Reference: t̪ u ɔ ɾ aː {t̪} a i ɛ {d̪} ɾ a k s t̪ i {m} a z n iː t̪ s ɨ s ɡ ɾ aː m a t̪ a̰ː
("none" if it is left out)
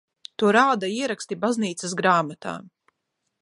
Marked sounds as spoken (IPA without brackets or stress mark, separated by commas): d̪, none, b